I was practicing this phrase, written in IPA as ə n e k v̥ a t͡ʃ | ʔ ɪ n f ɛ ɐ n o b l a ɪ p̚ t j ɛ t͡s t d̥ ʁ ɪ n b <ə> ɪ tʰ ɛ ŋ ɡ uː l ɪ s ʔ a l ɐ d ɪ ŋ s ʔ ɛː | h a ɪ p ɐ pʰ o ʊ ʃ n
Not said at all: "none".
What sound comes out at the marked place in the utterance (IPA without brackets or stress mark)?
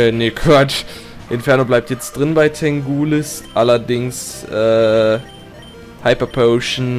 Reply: a